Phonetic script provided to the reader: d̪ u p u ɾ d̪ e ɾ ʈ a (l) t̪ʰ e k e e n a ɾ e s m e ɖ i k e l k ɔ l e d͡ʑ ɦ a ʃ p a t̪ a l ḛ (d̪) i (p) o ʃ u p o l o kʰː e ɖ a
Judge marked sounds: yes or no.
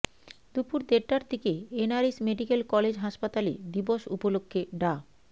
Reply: no, yes, no

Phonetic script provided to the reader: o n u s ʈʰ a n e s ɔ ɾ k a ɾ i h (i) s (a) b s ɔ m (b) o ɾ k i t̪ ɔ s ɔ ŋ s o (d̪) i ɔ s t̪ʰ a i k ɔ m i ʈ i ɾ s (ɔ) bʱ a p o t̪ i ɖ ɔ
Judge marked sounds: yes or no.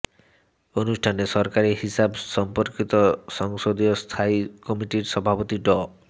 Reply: yes, yes, no, yes, yes

